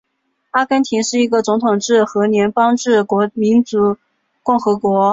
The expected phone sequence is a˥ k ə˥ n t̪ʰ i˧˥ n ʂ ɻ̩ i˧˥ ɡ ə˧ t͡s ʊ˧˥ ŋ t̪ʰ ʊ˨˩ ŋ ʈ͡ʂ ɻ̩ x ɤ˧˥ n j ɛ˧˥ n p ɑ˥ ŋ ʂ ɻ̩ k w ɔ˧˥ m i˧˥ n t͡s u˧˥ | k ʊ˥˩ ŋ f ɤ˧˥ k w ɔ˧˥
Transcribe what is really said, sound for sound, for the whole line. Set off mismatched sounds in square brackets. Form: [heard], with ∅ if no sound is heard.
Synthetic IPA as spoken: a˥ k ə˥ n t̪ʰ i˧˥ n ʂ ɻ̩ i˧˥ ɡ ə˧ t͡s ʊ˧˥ ŋ t̪ʰ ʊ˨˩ ŋ ʈ͡ʂ ɻ̩ x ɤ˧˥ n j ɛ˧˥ n p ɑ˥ ŋ [ʈ͡ʂ] ɻ̩ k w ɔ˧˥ m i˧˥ n t͡s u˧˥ | k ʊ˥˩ ŋ [x] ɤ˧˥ k w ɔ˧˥